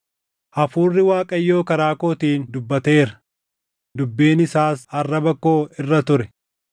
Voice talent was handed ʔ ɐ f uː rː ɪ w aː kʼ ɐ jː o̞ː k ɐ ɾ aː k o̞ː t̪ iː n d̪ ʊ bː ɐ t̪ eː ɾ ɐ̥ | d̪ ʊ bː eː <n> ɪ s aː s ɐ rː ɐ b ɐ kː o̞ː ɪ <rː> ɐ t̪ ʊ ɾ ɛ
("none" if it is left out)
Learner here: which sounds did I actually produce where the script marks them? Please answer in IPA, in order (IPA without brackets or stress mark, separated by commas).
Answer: n, rː